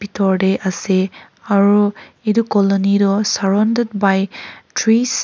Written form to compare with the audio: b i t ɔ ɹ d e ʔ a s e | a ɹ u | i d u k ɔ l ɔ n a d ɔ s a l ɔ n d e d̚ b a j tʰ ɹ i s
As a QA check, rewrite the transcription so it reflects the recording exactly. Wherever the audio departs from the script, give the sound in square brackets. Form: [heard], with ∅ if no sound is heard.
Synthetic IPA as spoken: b i t ɔ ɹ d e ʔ a s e | a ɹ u | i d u k ɔ l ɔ n [i] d ɔ s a [ɹ] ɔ n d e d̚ b a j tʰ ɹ i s